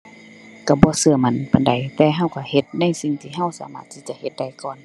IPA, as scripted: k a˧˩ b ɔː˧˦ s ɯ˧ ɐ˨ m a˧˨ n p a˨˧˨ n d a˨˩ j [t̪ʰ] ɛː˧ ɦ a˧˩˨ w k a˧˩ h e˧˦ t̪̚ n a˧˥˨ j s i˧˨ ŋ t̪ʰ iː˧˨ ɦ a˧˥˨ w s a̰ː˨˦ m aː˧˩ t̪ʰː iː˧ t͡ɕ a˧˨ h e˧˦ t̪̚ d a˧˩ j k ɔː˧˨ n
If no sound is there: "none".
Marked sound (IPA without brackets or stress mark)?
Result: t̪